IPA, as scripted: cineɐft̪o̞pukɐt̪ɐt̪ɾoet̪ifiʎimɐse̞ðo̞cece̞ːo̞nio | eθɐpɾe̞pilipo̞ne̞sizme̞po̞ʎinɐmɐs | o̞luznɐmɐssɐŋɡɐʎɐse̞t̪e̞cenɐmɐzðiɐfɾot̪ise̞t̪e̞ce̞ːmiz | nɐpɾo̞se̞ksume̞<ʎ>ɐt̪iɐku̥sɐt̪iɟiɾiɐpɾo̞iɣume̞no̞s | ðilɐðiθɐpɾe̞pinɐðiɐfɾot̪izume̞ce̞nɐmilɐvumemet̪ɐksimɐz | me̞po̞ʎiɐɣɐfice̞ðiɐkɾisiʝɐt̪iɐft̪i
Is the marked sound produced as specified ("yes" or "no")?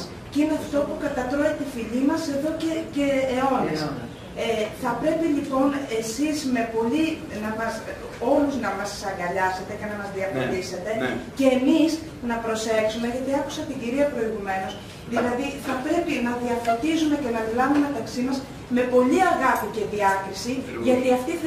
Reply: no